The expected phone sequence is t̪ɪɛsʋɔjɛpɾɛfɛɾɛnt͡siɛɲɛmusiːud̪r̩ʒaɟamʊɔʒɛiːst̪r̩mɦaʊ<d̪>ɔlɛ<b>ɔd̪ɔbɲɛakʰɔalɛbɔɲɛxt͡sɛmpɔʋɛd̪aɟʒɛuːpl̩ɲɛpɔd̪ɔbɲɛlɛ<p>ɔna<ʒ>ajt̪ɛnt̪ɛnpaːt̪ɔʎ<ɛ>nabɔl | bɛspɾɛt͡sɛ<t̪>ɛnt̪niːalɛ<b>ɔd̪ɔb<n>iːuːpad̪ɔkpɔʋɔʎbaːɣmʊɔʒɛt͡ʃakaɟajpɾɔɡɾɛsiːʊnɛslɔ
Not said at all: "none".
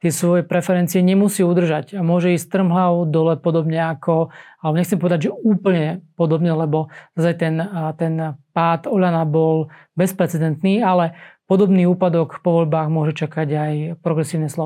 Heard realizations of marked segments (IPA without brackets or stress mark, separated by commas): d̪, p, b, z, a, d̪, p, n